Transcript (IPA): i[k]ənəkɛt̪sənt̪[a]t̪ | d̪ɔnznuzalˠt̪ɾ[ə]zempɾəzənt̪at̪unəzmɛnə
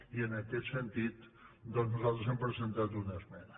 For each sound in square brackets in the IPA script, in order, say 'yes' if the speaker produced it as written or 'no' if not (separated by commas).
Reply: no, no, yes